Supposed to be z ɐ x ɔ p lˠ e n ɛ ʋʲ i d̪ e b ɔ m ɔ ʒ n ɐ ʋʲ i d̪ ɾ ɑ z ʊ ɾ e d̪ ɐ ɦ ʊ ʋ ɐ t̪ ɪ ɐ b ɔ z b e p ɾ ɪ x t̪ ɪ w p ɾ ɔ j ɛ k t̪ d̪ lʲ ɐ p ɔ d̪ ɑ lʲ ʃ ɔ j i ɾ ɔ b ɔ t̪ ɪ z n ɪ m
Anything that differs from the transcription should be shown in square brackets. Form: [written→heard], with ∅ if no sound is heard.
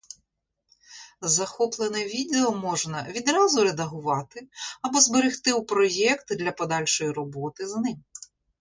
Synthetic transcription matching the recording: z ɐ x ɔ p lˠ e n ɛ ʋʲ i d̪ e [b→∅] ɔ m ɔ ʒ n ɐ ʋʲ i d̪ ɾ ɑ z ʊ ɾ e d̪ ɐ ɦ ʊ ʋ [ɐ→ɑ] t̪ ɪ ɐ b ɔ z b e [p→∅] ɾ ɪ x t̪ ɪ w p ɾ ɔ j ɛ k t̪ d̪ lʲ ɐ p ɔ d̪ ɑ lʲ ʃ ɔ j i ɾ ɔ b ɔ t̪ ɪ z n ɪ m